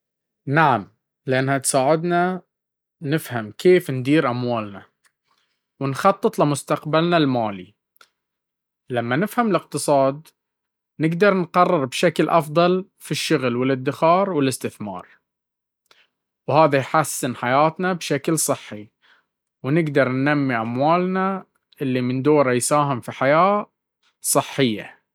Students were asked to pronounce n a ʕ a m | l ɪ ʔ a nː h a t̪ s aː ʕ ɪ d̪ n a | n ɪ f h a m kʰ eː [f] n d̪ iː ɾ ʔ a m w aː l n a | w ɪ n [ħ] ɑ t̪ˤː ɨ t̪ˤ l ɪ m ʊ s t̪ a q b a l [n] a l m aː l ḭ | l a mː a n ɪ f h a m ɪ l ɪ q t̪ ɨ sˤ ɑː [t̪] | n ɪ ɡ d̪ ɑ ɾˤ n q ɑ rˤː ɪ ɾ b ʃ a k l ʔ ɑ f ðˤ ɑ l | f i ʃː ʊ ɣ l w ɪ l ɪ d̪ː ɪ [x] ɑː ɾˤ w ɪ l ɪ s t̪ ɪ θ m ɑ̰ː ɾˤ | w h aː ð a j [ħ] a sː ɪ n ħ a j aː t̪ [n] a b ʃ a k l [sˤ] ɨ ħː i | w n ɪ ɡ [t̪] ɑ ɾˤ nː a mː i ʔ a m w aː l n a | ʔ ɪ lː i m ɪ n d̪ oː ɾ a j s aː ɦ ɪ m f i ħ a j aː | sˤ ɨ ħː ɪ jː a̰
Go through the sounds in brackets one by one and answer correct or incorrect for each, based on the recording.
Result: correct, incorrect, correct, incorrect, correct, correct, correct, correct, incorrect

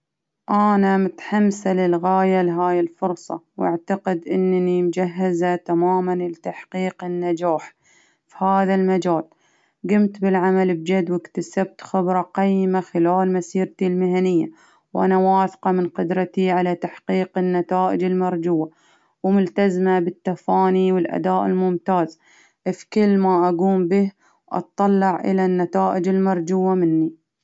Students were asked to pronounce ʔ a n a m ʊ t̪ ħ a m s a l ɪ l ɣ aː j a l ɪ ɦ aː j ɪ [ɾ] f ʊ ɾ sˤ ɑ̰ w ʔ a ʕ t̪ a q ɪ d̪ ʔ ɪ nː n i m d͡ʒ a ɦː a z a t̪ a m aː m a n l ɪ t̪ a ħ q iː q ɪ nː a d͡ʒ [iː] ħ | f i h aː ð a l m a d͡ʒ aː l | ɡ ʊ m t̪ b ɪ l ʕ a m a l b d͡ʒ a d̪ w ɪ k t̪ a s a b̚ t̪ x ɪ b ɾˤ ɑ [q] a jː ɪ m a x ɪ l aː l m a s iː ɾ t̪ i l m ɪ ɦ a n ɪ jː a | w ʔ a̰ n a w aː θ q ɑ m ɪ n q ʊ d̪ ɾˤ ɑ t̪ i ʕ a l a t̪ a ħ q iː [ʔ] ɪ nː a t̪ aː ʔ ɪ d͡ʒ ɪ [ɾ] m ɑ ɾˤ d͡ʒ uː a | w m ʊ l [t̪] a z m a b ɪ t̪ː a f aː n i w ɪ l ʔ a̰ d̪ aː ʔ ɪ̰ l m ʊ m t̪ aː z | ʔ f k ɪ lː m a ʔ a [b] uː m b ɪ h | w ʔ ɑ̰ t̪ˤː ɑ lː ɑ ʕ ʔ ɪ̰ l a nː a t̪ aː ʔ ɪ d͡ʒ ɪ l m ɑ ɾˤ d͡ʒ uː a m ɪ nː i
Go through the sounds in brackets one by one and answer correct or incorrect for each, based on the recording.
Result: incorrect, incorrect, correct, incorrect, incorrect, correct, incorrect

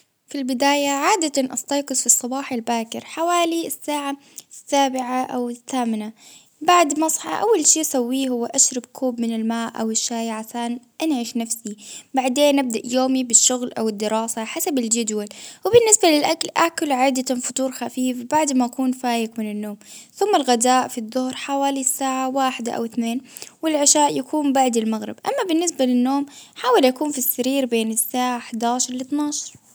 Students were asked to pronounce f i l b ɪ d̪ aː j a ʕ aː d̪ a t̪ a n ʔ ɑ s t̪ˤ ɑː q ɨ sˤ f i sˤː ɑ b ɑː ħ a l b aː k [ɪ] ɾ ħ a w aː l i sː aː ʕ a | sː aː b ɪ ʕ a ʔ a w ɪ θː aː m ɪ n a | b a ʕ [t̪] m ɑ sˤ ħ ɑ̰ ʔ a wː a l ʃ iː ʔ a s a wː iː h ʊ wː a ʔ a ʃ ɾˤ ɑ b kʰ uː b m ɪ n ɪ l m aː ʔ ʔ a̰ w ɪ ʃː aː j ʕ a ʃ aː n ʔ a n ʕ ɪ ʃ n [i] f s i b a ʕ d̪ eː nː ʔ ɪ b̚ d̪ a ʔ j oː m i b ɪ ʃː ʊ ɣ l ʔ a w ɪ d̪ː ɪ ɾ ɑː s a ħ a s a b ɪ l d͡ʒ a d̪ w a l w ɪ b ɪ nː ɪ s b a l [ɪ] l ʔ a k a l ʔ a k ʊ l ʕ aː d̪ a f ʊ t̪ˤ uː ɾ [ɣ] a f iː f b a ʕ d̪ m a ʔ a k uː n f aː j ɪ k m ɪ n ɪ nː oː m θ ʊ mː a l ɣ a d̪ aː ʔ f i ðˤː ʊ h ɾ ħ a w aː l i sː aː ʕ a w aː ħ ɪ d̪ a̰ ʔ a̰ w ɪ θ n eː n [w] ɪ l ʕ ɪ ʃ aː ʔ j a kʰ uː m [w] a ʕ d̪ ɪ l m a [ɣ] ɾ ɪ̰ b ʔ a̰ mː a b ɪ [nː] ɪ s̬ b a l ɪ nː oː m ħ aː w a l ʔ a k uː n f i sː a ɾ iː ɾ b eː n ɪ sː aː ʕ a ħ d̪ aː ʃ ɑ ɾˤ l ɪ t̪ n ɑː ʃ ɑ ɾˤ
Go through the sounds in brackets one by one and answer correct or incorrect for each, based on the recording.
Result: correct, incorrect, incorrect, correct, incorrect, correct, incorrect, correct, correct

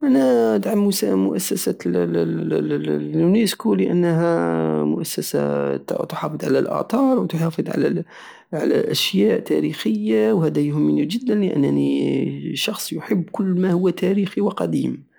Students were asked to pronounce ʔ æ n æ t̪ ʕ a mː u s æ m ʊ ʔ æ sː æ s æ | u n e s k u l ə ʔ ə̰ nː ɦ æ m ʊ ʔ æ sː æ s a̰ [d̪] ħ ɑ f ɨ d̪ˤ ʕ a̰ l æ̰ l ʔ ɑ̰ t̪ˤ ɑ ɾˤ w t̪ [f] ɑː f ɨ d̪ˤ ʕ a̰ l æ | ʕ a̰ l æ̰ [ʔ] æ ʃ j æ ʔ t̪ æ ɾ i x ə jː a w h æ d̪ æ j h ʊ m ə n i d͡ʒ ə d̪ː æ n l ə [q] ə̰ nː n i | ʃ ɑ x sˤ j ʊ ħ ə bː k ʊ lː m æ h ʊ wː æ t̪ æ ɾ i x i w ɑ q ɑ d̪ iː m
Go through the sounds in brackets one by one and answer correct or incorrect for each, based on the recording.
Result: incorrect, incorrect, correct, incorrect

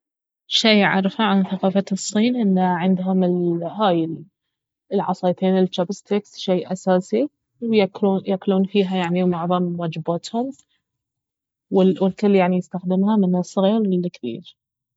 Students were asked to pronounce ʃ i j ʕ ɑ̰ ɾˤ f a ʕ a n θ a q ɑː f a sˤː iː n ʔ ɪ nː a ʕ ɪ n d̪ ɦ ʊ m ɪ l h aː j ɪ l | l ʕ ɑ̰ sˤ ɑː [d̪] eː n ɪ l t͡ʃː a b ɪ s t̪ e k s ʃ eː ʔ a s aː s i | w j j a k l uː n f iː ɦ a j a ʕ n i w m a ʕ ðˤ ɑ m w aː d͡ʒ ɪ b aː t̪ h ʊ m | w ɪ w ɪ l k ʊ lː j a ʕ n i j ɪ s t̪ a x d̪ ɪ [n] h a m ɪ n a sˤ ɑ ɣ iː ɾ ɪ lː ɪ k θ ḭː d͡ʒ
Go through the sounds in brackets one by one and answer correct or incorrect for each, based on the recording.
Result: incorrect, incorrect

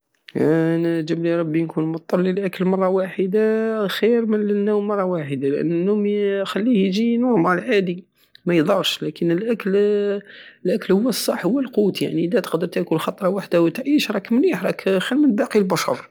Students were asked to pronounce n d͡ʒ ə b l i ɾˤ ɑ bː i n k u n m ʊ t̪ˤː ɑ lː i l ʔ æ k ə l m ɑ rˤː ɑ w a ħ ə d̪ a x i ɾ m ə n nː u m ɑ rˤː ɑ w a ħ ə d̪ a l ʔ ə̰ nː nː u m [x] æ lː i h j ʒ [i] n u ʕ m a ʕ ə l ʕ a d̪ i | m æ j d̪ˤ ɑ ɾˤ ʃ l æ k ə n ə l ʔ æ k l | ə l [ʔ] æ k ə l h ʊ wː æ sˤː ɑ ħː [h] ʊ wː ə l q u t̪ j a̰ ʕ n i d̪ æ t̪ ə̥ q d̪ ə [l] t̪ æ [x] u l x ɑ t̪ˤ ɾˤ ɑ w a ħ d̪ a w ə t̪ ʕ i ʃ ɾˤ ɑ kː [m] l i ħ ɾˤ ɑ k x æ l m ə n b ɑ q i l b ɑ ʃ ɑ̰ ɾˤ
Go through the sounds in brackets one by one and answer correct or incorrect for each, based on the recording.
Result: correct, correct, correct, correct, incorrect, incorrect, correct

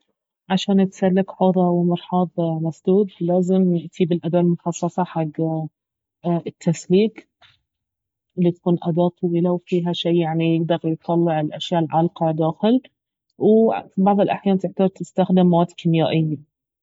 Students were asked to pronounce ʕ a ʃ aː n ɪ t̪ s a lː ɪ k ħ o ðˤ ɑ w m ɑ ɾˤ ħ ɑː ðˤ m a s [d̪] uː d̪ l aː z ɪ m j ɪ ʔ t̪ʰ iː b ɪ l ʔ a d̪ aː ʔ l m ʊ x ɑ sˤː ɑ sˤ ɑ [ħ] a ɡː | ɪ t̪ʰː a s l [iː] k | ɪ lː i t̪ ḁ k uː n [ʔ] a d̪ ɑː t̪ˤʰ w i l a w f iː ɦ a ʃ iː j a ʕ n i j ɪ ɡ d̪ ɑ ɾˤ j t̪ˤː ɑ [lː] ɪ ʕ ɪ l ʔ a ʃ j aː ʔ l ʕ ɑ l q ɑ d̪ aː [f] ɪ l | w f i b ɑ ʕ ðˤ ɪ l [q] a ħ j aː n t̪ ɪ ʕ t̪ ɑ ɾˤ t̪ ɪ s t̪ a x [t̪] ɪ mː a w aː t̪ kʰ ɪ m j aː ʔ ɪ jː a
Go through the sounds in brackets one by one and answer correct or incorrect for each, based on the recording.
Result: correct, correct, correct, correct, correct, incorrect, incorrect, incorrect

